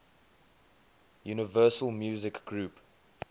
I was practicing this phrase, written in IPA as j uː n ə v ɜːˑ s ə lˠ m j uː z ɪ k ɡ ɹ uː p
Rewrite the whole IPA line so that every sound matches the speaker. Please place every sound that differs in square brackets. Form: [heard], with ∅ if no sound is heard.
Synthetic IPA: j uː n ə v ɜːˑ s ə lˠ m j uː z ɪ k ɡ ɹ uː p